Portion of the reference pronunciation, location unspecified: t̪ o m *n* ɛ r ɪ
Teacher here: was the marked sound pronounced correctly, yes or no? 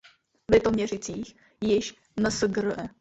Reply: no